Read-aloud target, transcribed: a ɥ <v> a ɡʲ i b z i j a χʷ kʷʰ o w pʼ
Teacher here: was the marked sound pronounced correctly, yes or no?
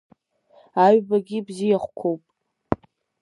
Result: no